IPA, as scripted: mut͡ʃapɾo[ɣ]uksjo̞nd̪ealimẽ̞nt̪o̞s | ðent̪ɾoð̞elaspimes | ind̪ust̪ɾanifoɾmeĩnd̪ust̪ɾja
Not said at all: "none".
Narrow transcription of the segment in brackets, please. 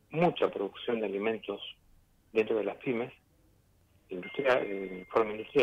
ð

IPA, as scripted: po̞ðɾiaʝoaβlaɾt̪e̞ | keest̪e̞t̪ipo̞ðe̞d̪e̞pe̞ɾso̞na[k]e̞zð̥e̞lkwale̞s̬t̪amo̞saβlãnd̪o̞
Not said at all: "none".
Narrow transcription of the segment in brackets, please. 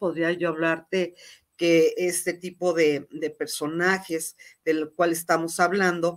x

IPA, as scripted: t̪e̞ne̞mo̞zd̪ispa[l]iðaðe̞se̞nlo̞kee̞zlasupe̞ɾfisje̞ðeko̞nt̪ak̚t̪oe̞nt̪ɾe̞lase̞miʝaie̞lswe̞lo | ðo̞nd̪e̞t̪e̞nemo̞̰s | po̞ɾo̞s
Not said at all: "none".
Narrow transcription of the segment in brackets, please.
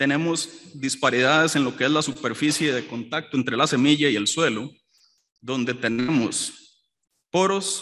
ɾ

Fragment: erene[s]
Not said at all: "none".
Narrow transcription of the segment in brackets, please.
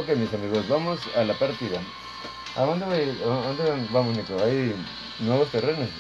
s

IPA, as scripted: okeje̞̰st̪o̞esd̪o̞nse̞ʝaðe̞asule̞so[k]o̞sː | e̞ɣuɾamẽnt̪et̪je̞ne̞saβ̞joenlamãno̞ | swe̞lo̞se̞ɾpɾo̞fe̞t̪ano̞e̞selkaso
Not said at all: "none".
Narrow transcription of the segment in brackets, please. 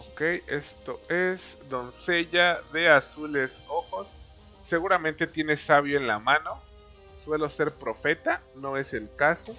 x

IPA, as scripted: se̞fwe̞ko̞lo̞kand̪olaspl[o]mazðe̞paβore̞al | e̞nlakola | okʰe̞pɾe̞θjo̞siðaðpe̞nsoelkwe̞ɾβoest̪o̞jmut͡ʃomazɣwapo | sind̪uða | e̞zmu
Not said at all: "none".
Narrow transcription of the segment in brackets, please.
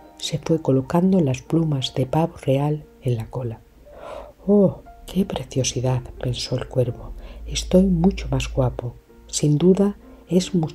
u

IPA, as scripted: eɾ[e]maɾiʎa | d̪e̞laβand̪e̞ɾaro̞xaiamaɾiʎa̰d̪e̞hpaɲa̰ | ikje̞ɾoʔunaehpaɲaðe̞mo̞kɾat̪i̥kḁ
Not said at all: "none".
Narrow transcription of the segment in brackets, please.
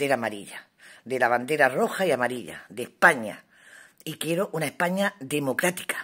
a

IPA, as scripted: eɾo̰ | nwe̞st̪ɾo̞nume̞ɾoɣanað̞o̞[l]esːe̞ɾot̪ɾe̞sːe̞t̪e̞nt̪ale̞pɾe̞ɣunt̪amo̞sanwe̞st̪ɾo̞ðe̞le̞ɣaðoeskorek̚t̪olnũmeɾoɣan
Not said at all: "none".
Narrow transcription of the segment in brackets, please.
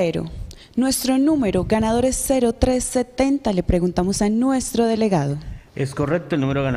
ɾ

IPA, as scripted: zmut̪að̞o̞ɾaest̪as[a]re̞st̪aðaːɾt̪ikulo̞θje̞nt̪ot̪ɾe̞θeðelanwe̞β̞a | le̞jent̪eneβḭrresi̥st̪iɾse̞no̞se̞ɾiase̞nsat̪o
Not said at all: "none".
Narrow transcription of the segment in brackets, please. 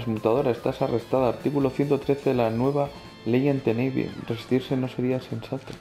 a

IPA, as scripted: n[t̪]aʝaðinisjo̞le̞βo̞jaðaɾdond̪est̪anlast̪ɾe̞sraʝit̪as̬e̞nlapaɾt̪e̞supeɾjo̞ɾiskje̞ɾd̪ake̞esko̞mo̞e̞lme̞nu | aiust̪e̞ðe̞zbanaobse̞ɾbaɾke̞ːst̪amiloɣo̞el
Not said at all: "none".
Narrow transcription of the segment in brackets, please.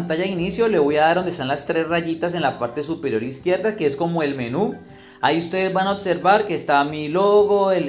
t̪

